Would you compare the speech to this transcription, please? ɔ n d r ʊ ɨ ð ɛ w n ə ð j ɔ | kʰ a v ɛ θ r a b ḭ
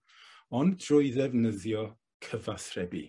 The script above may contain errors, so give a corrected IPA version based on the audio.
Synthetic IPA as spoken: ɔ n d r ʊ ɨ ð ɛ v n ə ð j ɔ | kʰ ə v a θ r ɛ b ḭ